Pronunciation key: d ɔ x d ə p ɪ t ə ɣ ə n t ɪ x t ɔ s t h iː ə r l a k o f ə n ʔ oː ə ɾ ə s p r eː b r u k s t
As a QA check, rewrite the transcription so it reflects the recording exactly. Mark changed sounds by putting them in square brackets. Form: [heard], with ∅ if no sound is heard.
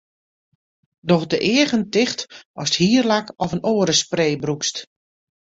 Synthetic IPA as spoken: d ɔ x d ə [ʔ] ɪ [∅] ə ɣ ə n t ɪ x t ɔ s t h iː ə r l a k [ɔ] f ə n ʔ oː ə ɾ ə s p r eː b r u k s t